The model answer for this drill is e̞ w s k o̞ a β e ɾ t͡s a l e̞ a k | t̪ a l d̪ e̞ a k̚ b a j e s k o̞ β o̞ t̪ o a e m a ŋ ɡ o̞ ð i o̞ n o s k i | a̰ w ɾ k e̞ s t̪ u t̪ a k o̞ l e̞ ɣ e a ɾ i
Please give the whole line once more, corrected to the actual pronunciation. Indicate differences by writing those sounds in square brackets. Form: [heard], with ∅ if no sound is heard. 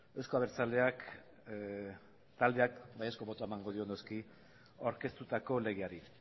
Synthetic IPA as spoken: e̞ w s k o̞ a β e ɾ t͡s a l e̞ a k | t̪ a l d̪ e̞ a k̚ b a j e s k o̞ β o̞ t̪ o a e m a ŋ ɡ o̞ ð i o̞ n o s k i | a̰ w ɾ k e̞ s t̪ u t̪ a k o̞ l e̞ ɣ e a ɾ i